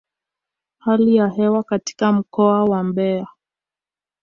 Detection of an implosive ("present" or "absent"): absent